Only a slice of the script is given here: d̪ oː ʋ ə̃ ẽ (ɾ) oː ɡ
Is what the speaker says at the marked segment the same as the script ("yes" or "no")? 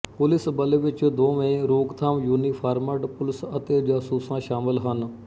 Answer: yes